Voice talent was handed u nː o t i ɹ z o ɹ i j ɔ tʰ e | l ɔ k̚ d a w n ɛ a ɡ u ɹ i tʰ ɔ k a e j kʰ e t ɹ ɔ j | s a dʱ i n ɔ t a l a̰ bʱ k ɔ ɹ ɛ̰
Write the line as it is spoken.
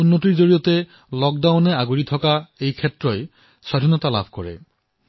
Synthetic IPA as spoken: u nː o t i ɹ z o ɹ i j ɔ t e | l ɔ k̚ d a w n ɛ a ɡ u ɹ i tʰ ɔ k a e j kʰ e t ɹ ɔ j | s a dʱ i n ɔ t a l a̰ bʱ k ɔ ɹ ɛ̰